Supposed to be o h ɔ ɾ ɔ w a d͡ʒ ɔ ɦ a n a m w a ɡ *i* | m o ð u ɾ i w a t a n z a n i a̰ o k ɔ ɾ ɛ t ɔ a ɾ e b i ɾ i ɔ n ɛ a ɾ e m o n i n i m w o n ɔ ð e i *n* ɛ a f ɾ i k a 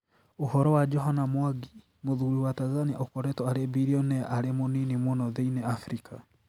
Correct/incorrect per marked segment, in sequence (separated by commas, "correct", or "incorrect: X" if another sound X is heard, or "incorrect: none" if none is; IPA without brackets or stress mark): correct, correct